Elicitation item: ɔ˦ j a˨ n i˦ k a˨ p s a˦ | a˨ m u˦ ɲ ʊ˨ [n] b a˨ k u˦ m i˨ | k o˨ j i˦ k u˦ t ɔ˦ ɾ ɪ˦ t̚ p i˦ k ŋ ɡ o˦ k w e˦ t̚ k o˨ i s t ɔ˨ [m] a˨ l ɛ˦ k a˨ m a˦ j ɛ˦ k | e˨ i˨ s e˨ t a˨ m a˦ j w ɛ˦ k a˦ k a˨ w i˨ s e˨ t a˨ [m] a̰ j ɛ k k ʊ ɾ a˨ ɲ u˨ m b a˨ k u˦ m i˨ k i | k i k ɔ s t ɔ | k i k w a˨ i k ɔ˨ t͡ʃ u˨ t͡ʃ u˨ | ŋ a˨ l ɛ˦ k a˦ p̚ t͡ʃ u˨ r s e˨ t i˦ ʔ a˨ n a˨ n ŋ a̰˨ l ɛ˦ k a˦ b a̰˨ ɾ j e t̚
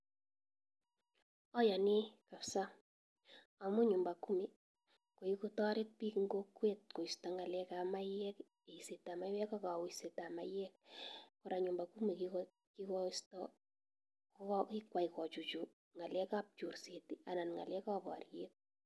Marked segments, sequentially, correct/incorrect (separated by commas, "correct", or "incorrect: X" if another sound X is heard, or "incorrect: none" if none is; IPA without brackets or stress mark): incorrect: m, incorrect: ŋ, correct